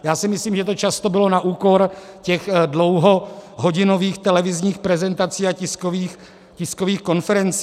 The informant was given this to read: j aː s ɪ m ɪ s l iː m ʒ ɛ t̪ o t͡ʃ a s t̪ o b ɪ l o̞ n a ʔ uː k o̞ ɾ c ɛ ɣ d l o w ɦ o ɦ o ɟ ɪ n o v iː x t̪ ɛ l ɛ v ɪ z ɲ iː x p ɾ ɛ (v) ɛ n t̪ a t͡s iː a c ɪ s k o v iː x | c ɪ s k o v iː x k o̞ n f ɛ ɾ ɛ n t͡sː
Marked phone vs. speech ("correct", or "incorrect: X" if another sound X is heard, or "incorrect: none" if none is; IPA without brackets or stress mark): incorrect: z